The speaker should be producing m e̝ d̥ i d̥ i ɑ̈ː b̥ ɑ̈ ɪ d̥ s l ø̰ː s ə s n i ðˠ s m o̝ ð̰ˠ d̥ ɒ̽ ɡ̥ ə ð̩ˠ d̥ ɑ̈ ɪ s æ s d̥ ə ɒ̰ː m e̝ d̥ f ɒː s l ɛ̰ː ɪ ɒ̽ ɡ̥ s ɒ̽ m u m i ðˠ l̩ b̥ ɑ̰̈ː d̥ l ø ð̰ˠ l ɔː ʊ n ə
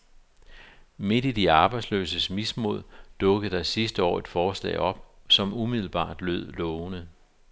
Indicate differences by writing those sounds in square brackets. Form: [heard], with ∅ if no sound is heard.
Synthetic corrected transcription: m e̝ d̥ i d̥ i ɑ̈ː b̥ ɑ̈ ɪ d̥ s l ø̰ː s ə s [m] i [∅] s m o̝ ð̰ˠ d̥ [ɔ̽] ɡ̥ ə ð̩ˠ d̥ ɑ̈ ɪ s [i] s d̥ ə ɒ̰ː [∅] e̝ d̥ f ɒː s l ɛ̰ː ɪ ɒ̽ [b̥] s ɒ̽ m u m i ðˠ l̩ b̥ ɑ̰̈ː d̥ l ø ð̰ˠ l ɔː ʊ n ə